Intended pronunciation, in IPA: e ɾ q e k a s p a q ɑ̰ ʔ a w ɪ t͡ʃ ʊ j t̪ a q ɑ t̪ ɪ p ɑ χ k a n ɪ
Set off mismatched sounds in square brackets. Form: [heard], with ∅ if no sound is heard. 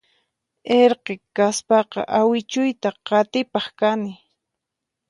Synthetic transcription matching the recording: e ɾ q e k a s p [ɑ] q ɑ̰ ʔ a w ɪ t͡ʃ ʊ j t̪ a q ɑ t̪ ɪ p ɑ χ k a n ɪ